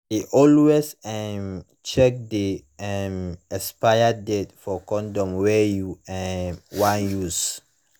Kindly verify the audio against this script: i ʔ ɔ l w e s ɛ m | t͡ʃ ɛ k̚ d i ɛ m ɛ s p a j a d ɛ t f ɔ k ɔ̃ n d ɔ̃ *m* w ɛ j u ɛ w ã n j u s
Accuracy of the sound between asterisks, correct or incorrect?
correct